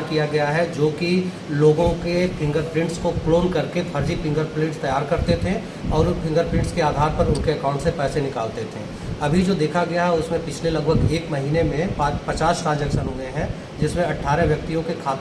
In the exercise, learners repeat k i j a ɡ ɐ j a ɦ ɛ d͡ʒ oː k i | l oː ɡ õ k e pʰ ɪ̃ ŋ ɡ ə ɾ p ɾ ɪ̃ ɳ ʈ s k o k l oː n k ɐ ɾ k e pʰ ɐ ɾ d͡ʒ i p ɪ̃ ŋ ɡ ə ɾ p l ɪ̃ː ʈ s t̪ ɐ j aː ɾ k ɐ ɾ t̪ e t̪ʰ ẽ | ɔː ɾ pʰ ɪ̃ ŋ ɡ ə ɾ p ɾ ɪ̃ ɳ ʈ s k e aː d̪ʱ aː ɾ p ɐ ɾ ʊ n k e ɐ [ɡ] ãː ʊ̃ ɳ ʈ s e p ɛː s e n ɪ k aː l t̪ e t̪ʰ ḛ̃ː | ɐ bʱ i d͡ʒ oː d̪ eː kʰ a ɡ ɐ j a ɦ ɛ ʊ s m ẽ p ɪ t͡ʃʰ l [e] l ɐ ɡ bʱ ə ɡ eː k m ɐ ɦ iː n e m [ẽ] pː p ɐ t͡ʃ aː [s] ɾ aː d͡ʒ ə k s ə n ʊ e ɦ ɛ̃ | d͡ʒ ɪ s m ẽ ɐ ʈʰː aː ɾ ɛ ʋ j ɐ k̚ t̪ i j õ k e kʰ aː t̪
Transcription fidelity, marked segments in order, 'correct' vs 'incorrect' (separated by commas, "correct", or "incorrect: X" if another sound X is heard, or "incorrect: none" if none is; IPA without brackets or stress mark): incorrect: k, correct, correct, correct